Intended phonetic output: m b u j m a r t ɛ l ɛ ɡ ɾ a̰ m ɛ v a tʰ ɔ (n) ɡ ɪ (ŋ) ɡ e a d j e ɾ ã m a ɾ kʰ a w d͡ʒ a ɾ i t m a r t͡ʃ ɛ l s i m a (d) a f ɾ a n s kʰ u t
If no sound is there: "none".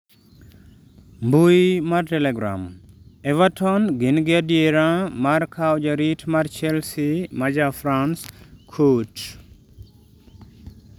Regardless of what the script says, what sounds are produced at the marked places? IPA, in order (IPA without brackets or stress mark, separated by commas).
n, n, d͡ʒ